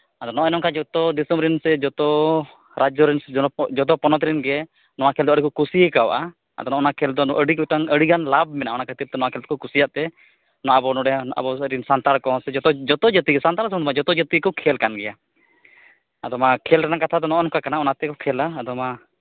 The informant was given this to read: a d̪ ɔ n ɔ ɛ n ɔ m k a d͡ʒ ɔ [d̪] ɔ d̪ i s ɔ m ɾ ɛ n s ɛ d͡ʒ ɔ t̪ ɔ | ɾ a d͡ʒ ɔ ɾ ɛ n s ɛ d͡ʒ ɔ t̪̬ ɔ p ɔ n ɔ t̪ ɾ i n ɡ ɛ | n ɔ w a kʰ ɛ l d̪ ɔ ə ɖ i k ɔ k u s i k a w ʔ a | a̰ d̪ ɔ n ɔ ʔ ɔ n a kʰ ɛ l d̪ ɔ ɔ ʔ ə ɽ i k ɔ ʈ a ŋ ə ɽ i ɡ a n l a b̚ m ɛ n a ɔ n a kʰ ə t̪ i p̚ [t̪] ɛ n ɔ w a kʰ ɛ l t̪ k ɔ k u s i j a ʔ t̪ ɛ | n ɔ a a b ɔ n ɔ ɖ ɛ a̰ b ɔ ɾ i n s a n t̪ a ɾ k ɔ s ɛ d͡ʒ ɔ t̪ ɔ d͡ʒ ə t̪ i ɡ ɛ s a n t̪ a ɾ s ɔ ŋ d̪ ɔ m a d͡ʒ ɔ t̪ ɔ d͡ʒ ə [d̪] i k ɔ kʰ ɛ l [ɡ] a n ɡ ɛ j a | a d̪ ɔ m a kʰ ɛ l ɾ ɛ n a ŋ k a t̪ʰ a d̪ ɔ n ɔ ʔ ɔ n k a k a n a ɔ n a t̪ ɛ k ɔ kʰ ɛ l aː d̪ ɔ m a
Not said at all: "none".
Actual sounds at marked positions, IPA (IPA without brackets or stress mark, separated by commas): t̪, t̪, t̪, k